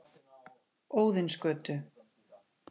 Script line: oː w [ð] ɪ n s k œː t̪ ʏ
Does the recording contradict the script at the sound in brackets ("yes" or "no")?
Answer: no